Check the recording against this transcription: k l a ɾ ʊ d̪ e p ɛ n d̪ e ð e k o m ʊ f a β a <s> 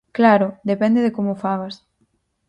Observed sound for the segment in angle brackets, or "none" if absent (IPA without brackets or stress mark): s